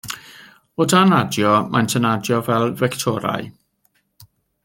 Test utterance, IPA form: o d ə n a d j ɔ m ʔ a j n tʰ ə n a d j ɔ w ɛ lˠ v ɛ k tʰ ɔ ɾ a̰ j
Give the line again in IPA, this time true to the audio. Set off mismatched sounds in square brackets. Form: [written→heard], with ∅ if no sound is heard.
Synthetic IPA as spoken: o d [ə→a] n a d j ɔ m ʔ a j n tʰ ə n a d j ɔ [w→v] ɛ lˠ v ɛ k tʰ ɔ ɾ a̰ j